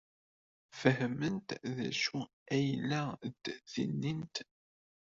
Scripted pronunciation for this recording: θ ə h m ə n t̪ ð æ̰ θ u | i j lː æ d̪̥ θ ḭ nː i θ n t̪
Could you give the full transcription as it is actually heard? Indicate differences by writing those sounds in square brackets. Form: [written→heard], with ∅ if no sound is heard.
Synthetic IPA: [θ→f] ə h m ə n t̪ ð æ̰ [θ→ʃ] u | [i→æ] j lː æ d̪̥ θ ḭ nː i [θ→∅] n t̪